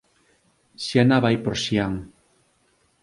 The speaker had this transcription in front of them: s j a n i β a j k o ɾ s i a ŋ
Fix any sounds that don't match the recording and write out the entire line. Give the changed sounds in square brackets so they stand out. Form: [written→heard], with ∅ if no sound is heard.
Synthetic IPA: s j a n [i→a] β a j [k→p] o ɾ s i a ŋ